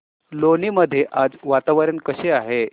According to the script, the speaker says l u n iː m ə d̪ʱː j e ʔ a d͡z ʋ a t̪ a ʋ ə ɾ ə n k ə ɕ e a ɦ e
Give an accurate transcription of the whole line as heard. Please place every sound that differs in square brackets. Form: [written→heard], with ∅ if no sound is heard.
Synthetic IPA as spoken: l [u→o] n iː m ə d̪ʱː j e ʔ a d͡z ʋ a t̪ a ʋ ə ɾ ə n k ə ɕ e a ɦ e